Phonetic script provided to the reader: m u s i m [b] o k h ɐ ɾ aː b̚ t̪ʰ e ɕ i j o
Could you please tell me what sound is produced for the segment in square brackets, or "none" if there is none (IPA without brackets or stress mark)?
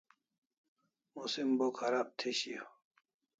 b